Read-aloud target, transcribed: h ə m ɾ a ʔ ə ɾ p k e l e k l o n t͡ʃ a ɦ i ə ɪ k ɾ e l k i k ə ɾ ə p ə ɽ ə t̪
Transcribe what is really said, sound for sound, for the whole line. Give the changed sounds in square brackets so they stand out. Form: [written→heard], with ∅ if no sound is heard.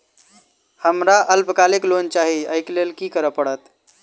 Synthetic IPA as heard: h ə m ɾ a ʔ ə [ɾ→l] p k [e→a] l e k l o n t͡ʃ a ɦ i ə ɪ k [ɾ→l] e l k i k ə ɾ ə p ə ɽ ə t̪